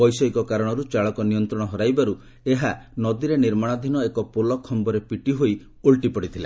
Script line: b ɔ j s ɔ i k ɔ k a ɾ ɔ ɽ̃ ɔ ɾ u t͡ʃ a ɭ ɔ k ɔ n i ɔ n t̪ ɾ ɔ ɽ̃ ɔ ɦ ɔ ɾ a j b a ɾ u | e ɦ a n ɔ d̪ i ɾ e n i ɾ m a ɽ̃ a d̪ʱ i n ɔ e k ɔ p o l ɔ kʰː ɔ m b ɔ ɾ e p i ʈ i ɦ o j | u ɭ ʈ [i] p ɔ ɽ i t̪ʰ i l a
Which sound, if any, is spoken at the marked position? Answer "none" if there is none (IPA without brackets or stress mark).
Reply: i